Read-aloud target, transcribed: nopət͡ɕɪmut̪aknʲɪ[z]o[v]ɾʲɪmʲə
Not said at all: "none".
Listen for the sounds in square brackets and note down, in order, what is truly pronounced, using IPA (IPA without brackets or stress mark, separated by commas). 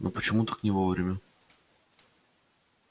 v, v